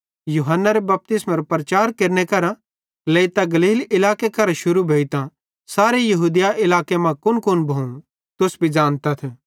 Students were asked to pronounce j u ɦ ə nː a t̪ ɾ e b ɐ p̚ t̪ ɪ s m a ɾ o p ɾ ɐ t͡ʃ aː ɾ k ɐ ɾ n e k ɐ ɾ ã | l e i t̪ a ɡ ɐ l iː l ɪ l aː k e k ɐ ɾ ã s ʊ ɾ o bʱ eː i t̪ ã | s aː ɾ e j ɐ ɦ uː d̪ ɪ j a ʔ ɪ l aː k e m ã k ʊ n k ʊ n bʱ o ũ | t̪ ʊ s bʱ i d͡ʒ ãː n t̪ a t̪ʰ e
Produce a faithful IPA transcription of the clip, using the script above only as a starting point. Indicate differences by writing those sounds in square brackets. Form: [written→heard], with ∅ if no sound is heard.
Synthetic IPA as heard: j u ɦ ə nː a [t̪→∅] ɾ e b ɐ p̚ t̪ ɪ s m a ɾ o p ɾ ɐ t͡ʃ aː ɾ k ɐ ɾ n e k ɐ ɾ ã | l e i t̪ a ɡ ɐ l iː l ɪ l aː k e k ɐ ɾ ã [s→ʃ] ʊ ɾ [o→u] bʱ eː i t̪ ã | s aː ɾ e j ɐ ɦ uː d̪ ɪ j a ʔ ɪ l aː k e m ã k ʊ n k ʊ n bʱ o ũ | t̪ ʊ s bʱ i d͡ʒ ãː n t̪ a t̪ʰ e